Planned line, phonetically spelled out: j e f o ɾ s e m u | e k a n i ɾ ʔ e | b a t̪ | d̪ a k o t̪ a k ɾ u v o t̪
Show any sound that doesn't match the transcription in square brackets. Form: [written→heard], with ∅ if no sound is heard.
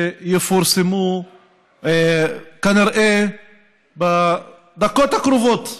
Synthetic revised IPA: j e f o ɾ s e m u | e k a n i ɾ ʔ e | b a [t̪→∅] | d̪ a k o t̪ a k ɾ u v o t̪